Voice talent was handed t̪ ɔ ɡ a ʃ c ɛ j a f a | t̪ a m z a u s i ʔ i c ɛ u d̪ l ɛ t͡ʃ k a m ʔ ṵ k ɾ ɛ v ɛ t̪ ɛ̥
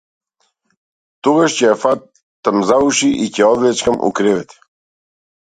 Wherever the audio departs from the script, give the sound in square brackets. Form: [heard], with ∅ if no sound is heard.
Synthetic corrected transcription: t̪ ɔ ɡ a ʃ c ɛ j a f a | t̪ a m z a u [ʃ] i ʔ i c ɛ [ɔ] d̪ l ɛ t͡ʃ k a m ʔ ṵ k ɾ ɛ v ɛ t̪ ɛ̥